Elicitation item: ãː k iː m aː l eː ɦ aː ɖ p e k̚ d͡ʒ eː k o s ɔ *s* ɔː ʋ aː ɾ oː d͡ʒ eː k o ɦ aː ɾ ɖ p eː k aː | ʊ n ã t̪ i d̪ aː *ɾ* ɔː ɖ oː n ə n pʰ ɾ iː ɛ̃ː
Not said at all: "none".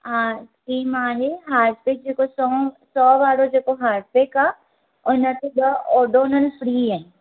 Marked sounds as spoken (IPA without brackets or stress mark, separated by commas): s, none